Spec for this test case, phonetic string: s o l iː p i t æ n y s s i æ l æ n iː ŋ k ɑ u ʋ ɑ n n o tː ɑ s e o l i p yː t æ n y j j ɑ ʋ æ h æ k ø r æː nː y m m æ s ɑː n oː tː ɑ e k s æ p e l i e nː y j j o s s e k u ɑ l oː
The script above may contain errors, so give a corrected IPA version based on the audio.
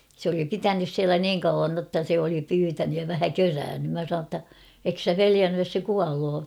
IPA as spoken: s o l i p i t æ n y s s i æ l æ n iː ŋ k ɑ u ʋ ɑ n n o tː ɑ s e o l i p yː t æ n y j j ɑ ʋ æ h æ k ø r æː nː y m m æ s ɑ n oː tː ɑ e k s æ p e l i æ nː y j j o s s e k u ɑ l oː